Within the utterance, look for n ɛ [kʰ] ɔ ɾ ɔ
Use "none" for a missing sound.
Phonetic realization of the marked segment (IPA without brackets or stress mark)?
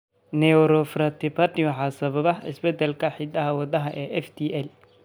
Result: none